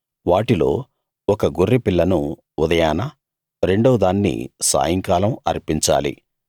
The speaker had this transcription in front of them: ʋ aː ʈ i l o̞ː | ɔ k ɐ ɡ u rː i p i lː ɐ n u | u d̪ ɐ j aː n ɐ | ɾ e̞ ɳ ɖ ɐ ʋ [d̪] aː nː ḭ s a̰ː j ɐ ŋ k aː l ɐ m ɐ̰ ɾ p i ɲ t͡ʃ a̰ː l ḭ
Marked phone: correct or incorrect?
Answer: correct